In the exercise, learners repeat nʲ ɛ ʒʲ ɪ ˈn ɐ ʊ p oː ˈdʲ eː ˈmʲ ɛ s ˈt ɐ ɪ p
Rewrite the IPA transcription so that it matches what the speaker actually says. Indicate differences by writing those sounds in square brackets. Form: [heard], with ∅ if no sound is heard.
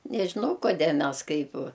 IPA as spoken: nʲ ɛ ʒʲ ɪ ˈn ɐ ʊ [k] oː ˈdʲ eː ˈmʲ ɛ s [ˈk] ɐ ɪ p